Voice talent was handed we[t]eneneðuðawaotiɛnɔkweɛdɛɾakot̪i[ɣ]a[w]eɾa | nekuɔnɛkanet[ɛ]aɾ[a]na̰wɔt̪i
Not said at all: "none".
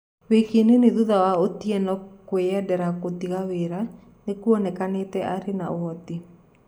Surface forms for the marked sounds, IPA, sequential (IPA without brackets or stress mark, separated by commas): k, ɣ, w, ɛ, e